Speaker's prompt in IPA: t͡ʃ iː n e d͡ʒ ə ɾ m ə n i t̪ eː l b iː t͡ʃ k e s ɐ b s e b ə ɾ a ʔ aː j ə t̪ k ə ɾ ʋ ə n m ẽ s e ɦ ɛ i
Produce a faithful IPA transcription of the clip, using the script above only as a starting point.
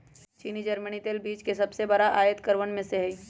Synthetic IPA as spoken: t͡ʃ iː n i d͡ʒ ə ɾ m ə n i t̪ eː l b iː t͡ʃ k e s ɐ b s e b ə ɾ a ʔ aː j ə t̪ k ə ɾ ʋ ə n m ẽ s e ɦ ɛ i